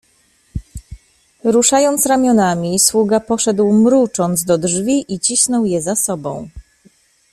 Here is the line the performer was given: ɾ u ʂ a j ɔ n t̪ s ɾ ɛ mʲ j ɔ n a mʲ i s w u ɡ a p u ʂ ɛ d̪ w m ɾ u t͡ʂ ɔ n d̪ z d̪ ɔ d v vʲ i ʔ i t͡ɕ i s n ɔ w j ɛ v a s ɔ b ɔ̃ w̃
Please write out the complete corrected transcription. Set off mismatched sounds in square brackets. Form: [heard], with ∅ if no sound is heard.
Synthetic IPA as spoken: ɾ u ʂ a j ɔ n t̪ s ɾ [a] mʲ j ɔ n a mʲ i s w u ɡ a p [ɔ] ʂ ɛ d̪ w m ɾ u t͡ʂ ɔ n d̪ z d̪ ɔ d [ʐ] vʲ i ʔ i t͡ɕ i s n ɔ w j ɛ [z] a s ɔ b ɔ̃ w̃